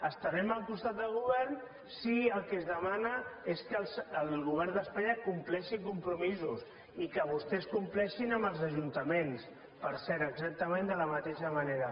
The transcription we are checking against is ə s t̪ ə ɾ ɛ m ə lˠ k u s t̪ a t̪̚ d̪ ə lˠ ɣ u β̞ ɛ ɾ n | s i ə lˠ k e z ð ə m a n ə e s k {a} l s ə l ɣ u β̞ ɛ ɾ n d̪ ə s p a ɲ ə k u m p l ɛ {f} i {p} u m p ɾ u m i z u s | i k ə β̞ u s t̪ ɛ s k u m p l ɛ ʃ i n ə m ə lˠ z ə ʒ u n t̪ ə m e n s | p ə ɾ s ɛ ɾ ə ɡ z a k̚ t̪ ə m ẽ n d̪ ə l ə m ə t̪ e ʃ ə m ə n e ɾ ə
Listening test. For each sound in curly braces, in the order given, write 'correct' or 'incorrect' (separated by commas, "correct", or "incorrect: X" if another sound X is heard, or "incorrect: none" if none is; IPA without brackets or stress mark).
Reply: incorrect: ə, incorrect: ʃ, incorrect: k